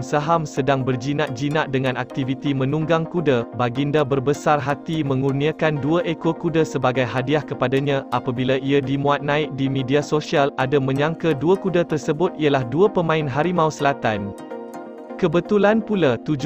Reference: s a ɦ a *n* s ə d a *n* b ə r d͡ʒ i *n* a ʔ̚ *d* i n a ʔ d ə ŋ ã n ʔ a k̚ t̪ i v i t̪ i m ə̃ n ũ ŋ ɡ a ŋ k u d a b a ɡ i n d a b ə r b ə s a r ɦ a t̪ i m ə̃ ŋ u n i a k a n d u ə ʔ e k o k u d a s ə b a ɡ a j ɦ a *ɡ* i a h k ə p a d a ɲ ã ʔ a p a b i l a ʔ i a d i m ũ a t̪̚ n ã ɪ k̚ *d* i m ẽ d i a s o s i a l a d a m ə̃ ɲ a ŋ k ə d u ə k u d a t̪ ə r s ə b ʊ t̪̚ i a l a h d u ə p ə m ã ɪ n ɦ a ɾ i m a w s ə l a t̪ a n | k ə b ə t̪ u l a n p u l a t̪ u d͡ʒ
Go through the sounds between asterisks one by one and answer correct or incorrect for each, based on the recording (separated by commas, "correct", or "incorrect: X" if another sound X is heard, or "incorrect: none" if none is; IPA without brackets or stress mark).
incorrect: m, incorrect: ŋ, correct, incorrect: d͡ʒ, incorrect: d, correct